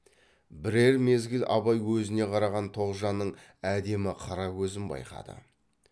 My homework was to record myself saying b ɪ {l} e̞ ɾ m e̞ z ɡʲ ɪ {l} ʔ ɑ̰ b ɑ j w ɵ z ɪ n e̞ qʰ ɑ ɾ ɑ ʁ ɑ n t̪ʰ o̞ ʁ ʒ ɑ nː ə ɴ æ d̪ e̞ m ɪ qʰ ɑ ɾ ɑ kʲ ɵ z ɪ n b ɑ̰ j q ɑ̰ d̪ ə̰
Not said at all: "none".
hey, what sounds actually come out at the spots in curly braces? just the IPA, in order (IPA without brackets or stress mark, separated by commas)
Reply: ɾ, l